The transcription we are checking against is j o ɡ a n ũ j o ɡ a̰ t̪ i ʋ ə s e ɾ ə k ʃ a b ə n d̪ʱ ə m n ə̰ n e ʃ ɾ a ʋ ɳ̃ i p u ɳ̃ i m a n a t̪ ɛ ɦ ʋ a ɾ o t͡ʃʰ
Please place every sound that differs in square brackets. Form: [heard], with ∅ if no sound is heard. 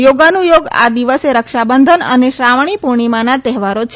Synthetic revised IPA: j o ɡ a n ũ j o ɡ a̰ [d̪] i ʋ ə s e ɾ ə k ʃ a b ə n d̪ʱ ə [∅] n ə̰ n e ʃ ɾ a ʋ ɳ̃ i p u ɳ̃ i m a n a t̪ ɛ ɦ ʋ a ɾ o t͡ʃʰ